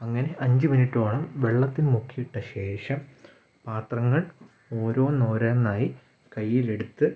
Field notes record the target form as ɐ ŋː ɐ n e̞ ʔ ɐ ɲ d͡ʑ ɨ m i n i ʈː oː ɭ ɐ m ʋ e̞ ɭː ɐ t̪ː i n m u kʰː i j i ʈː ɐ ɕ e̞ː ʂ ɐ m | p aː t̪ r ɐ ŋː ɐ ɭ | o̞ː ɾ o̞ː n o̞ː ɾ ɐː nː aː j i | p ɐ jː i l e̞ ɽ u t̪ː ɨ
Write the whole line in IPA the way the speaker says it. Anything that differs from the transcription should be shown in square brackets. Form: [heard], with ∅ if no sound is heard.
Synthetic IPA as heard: ɐ ŋː ɐ n e̞ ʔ ɐ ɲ d͡ʑ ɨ m i n i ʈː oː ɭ ɐ m ʋ e̞ ɭː ɐ t̪ː i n m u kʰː i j i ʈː ɐ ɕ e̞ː ʂ ɐ m | p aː t̪ r ɐ ŋː ɐ ɭ | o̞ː ɾ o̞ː n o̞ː ɾ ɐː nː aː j i | [k] ɐ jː i l e̞ ɽ u t̪ː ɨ